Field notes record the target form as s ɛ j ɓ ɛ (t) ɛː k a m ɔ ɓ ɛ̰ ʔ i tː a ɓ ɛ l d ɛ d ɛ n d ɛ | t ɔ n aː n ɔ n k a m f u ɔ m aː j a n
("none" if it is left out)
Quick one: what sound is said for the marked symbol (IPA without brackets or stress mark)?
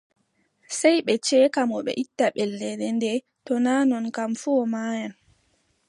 t͡ʃ